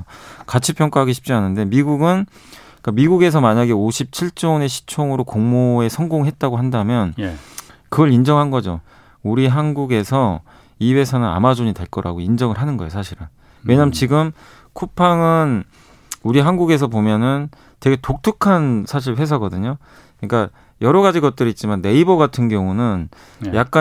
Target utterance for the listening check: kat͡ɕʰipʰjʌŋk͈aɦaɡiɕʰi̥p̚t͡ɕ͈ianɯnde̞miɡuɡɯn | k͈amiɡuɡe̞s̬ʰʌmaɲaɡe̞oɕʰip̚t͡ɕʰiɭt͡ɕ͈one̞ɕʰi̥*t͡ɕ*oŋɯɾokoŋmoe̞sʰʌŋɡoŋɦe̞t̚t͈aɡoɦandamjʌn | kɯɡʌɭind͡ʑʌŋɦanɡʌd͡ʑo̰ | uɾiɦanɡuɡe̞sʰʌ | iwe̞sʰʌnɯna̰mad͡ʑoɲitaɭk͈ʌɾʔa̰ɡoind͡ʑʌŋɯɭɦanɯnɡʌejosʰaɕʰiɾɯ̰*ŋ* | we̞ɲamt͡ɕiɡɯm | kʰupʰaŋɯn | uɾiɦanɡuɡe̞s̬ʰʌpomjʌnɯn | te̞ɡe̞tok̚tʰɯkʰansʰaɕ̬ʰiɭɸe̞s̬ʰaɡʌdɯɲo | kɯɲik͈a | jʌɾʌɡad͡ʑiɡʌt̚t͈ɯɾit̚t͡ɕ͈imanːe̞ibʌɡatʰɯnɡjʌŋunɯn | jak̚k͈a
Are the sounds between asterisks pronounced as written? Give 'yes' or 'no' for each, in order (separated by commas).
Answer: no, no